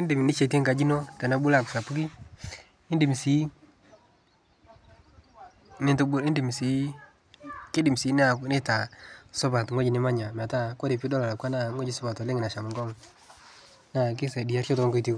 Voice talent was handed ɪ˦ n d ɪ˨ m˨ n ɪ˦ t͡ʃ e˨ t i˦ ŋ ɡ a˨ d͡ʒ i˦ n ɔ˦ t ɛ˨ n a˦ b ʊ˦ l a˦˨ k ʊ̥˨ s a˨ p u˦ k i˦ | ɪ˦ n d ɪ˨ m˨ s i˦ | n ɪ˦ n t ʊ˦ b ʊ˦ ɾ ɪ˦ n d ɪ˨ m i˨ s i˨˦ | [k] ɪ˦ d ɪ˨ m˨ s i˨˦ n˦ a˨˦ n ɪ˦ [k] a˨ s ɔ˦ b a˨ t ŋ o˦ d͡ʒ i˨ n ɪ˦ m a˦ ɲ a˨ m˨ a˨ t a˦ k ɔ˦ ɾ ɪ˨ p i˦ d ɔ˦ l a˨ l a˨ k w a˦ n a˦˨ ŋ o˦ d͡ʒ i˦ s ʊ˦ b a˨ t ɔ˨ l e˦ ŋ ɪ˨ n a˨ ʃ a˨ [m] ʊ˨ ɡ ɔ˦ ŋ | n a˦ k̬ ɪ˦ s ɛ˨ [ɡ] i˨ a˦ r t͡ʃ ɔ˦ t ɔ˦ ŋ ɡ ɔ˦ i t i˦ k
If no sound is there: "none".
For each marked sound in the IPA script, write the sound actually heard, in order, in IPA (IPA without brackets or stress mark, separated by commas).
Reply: k, t, m, d